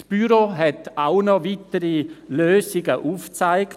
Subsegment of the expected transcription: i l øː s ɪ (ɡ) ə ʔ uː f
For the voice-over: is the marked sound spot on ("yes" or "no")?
yes